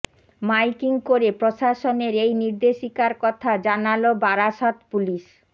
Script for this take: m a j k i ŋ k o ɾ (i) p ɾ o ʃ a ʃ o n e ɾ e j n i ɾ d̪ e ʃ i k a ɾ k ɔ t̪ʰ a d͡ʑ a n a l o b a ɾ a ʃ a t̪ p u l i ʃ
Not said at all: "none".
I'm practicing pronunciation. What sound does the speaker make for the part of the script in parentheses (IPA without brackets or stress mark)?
e